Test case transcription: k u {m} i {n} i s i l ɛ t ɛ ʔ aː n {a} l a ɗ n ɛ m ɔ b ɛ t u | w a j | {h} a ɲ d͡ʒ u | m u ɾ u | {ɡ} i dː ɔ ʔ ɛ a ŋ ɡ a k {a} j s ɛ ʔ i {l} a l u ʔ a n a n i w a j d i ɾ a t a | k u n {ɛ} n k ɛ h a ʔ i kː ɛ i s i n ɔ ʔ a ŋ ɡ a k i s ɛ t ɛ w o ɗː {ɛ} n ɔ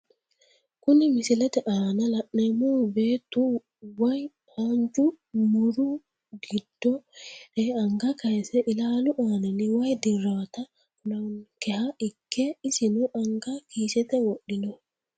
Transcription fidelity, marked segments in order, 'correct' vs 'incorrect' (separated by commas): incorrect, incorrect, correct, correct, correct, correct, correct, incorrect, incorrect